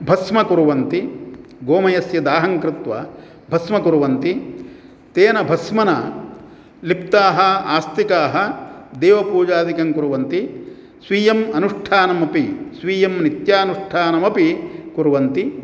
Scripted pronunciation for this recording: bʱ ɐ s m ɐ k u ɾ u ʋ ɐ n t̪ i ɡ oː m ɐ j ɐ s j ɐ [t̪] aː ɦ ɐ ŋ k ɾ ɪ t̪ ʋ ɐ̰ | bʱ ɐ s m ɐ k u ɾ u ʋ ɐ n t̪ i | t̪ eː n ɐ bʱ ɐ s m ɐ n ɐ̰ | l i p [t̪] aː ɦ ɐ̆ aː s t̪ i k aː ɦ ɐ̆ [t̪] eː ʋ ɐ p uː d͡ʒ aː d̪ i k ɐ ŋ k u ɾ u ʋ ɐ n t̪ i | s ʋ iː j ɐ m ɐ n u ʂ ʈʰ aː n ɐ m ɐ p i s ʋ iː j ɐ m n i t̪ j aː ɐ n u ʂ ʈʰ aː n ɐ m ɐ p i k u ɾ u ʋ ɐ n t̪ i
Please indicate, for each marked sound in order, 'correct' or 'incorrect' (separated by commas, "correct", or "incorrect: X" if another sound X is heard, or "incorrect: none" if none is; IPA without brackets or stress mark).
incorrect: d̪, correct, incorrect: d̪